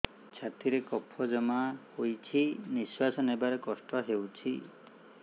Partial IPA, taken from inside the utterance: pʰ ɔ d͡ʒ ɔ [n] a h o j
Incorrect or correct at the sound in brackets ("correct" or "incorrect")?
incorrect